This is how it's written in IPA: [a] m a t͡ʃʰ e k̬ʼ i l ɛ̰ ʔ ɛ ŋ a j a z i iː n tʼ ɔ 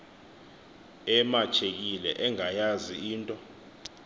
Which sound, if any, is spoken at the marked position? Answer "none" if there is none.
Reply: ɛ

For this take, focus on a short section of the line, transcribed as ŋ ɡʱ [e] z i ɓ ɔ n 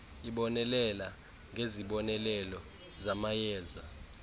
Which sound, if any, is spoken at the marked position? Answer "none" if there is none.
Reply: e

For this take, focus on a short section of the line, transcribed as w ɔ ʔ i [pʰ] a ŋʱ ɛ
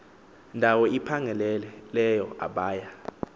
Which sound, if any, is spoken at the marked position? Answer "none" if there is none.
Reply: pʰ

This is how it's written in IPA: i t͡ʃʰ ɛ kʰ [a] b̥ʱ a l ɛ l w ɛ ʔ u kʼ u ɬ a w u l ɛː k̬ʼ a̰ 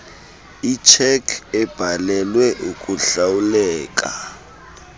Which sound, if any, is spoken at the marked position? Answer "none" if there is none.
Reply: ɛ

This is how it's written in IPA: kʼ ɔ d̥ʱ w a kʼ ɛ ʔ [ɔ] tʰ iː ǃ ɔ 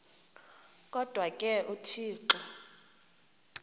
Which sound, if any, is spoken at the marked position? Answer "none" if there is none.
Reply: u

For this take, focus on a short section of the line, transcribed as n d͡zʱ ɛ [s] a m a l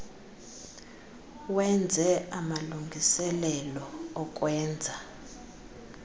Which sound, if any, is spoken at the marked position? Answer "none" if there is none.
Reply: none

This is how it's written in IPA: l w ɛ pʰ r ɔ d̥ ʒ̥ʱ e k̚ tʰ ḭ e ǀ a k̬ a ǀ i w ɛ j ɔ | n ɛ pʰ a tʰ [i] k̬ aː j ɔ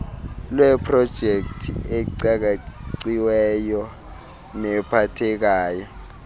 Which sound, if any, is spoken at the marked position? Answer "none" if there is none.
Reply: ɛ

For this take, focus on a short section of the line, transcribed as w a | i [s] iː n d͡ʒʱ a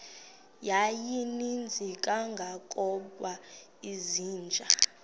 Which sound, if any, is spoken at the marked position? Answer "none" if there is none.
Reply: z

